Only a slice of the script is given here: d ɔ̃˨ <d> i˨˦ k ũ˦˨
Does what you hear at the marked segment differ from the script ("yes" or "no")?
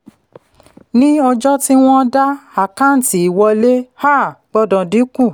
no